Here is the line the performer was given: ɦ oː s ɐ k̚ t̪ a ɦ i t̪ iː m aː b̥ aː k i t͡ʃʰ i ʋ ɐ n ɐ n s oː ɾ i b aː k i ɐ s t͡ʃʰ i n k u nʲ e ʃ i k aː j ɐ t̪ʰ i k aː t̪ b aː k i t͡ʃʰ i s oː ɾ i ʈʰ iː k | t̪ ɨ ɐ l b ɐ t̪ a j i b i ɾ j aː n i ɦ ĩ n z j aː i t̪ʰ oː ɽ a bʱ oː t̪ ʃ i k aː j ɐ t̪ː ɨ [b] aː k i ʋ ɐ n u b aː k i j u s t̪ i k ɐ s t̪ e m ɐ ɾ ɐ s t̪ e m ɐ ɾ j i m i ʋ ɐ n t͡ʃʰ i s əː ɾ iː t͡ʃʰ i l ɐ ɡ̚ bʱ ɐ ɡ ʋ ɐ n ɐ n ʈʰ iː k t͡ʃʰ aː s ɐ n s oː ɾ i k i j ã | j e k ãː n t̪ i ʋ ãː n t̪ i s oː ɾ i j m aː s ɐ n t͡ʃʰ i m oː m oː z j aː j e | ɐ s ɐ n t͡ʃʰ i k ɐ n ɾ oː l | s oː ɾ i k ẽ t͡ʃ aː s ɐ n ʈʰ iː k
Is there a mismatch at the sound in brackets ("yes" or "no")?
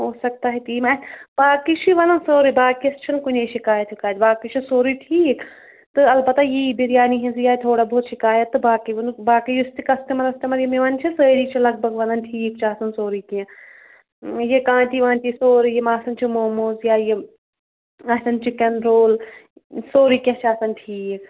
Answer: no